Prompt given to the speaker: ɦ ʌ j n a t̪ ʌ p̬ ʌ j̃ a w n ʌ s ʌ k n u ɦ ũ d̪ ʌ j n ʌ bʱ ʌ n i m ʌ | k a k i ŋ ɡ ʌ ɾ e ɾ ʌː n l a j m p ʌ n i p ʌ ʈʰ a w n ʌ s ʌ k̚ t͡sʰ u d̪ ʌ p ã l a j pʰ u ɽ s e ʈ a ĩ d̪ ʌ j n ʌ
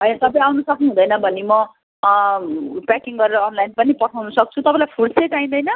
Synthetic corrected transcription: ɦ ʌ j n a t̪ ʌ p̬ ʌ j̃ a w n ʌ s ʌ k n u ɦ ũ d̪ ʌ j n ʌ bʱ ʌ n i m ʌ | p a k i ŋ ɡ ʌ ɾ e ɾ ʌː n l a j n p ʌ n i p ʌ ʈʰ a w n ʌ s ʌ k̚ t͡sʰ u t̪ ʌ p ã l a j pʰ u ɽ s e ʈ a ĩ d̪ ʌ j n ʌ